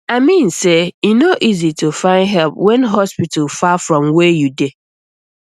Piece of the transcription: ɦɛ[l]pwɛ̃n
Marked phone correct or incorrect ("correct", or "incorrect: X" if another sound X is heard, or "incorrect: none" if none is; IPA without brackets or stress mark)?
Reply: correct